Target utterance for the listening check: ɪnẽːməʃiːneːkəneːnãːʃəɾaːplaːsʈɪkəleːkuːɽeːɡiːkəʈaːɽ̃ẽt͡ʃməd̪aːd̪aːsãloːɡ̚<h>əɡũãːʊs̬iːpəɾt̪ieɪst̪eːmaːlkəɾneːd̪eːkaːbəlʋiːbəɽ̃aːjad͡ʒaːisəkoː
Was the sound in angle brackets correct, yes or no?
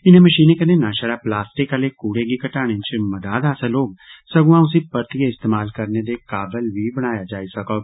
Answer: no